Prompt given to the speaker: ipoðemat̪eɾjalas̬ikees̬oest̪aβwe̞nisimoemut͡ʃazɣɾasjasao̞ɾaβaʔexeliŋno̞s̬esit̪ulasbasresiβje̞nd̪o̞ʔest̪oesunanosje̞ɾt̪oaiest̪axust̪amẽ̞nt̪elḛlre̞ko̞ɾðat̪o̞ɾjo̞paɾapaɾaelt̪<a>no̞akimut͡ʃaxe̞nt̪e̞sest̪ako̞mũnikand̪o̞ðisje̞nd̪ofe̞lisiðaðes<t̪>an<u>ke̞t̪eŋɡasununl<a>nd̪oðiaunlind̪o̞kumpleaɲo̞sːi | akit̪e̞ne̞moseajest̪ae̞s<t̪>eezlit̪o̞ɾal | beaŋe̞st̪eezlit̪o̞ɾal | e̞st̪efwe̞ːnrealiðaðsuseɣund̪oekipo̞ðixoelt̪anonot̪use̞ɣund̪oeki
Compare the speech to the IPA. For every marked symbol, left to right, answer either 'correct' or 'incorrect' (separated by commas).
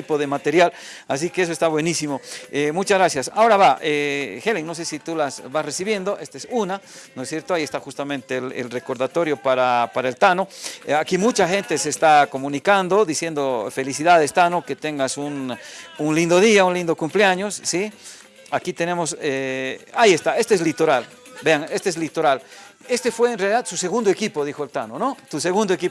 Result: correct, correct, incorrect, incorrect, correct